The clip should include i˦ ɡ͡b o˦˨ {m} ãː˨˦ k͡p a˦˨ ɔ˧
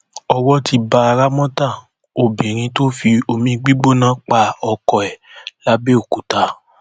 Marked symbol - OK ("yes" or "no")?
no